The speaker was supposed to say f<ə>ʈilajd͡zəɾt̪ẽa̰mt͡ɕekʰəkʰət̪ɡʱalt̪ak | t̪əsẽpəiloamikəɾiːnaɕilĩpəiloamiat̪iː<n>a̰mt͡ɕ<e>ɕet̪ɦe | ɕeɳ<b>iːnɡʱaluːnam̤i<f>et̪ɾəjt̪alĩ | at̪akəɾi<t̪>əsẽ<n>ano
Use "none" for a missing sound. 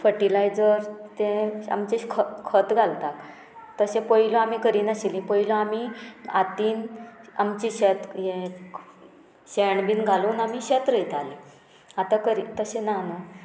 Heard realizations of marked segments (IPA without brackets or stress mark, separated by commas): ə, n, i, b, ɕ, t̪, n